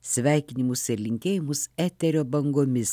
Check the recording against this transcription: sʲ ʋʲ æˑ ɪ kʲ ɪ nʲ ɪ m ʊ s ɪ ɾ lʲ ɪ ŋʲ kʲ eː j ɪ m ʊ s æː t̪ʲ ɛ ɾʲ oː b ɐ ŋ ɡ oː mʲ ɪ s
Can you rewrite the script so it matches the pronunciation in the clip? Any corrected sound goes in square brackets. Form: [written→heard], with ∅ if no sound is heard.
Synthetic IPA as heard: sʲ ʋʲ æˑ ɪ kʲ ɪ nʲ ɪ m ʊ s ɪ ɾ lʲ ɪ ŋʲ kʲ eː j ɪ m ʊ s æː t̪ʲ ɛ ɾʲ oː b ɐ ŋ ɡ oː mʲ ɪ s

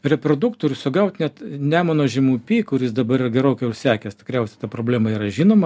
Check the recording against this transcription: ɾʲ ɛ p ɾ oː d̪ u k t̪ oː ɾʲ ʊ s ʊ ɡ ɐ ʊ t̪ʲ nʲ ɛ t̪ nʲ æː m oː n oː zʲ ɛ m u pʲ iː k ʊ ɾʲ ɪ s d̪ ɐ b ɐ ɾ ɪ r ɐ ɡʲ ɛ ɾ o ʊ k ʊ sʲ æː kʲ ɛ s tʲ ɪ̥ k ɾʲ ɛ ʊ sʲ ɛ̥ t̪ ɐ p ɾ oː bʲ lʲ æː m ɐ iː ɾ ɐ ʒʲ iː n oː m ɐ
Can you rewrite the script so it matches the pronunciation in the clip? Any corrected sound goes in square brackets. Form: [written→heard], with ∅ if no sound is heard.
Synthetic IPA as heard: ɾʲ ɛ p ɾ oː d̪ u k t̪ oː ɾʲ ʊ s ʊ ɡ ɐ ʊ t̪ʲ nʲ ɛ t̪ nʲ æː m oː n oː [zʲ→ʒʲ] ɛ m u pʲ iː k ʊ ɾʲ ɪ s d̪ ɐ b ɐ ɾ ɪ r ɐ ɡʲ ɛ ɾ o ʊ k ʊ sʲ æː kʲ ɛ s tʲ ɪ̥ k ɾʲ ɛ ʊ sʲ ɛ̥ t̪ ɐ p ɾ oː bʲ lʲ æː m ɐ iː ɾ ɐ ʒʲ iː n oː m ɐ

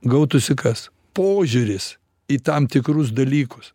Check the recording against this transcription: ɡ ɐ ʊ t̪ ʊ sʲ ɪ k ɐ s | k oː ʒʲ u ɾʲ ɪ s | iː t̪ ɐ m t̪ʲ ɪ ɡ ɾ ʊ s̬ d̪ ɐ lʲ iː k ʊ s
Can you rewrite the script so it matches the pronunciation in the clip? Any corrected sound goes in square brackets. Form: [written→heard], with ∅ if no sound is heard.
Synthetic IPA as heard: ɡ ɐ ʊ t̪ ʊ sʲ ɪ k ɐ s | [k→p] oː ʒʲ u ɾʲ ɪ s | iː t̪ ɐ m t̪ʲ ɪ [ɡ→k] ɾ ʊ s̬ d̪ ɐ lʲ iː k ʊ s

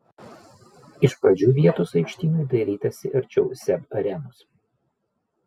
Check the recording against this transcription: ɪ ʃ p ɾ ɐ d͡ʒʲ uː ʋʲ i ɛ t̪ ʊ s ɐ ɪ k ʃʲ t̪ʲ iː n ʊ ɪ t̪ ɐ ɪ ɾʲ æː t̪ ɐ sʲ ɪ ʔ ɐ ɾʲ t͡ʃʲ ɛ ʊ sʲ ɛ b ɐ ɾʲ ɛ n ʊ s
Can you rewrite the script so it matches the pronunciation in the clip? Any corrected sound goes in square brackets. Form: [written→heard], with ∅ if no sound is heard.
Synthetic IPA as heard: ɪ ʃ p ɾ ɐ d͡ʒʲ uː ʋʲ i ɛ t̪ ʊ s ɐ ɪ k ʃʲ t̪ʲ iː n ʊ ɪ [t̪→d̪] ɐ ɪ ɾʲ [æː→iː] t̪ ɐ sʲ ɪ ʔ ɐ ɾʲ t͡ʃʲ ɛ ʊ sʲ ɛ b ɐ ɾʲ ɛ n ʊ s

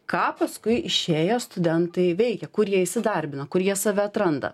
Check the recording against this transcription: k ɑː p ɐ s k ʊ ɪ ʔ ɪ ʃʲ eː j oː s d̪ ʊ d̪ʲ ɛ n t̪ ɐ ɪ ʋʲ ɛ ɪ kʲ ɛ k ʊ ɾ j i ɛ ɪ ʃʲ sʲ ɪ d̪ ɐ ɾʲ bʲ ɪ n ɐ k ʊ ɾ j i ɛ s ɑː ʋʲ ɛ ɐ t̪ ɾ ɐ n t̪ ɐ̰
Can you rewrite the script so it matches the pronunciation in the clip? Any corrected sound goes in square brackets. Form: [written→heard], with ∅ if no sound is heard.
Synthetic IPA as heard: k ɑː p ɐ s k ʊ ɪ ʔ ɪ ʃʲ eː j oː s [d̪→t̪] ʊ d̪ʲ ɛ n t̪ ɐ ɪ ʋʲ ɛ ɪ kʲ ɛ k ʊ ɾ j i ɛ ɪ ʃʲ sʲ ɪ d̪ ɐ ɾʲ bʲ ɪ n ɐ k ʊ ɾ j i ɛ s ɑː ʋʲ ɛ ɐ t̪ ɾ ɐ n [t̪→d̪] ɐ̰

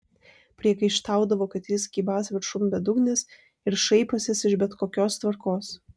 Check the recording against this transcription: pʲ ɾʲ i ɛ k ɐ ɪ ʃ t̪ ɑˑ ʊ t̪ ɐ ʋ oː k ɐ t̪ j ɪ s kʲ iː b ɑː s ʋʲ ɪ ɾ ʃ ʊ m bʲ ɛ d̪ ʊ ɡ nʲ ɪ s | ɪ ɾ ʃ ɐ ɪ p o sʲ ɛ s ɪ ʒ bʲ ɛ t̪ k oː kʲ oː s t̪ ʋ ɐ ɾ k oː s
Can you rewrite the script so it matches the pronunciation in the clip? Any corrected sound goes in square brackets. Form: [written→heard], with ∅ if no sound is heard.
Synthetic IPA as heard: pʲ ɾʲ i ɛ k ɐ ɪ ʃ t̪ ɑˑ ʊ [t̪→d̪] ɐ ʋ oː k ɐ t̪ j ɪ s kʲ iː b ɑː s ʋʲ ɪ ɾ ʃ ʊ m bʲ ɛ d̪ ʊ ɡ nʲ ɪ s | ɪ ɾ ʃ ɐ ɪ p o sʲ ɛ s ɪ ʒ bʲ ɛ t̪ k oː kʲ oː s t̪ ʋ ɐ ɾ k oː s

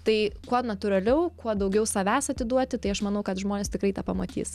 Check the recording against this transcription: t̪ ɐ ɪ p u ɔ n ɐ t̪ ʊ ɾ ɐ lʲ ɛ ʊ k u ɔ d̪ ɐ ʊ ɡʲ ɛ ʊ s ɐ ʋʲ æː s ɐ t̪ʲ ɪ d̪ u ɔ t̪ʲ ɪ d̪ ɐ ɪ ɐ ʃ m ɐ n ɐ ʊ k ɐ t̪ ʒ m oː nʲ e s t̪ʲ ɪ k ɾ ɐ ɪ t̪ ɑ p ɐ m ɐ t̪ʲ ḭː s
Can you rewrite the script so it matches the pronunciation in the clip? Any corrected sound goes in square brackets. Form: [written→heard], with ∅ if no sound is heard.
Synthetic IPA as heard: t̪ ɐ ɪ [p→k] u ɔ n ɐ t̪ ʊ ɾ ɐ lʲ ɛ ʊ k u ɔ d̪ ɐ ʊ ɡʲ ɛ ʊ s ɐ ʋʲ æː s ɐ t̪ʲ ɪ d̪ u ɔ t̪ʲ ɪ [d̪→t̪] ɐ ɪ ɐ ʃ m ɐ n ɐ ʊ k ɐ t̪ ʒ m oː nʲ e s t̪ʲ ɪ k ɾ ɐ ɪ t̪ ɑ p ɐ m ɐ t̪ʲ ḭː s

